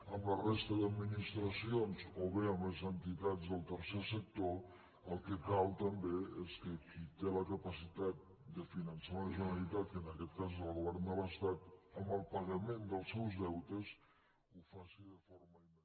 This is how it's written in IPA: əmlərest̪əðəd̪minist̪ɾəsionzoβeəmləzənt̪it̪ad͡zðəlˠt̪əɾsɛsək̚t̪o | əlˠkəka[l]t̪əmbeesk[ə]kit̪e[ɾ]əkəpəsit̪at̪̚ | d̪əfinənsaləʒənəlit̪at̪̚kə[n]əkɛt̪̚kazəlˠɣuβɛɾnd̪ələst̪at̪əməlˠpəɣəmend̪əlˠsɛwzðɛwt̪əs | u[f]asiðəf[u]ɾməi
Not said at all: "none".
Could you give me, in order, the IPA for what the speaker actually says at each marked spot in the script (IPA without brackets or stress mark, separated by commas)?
l, ə, l, n, f, o